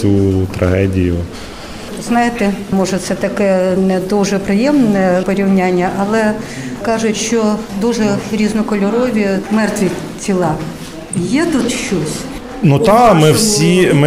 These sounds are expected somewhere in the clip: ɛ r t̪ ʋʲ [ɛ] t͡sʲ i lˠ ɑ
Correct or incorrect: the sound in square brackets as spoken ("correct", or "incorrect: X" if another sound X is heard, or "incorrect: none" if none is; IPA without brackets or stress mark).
incorrect: i